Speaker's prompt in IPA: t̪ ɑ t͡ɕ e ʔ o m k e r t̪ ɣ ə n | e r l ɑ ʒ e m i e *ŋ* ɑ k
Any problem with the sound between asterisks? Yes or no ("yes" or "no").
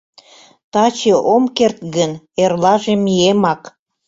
yes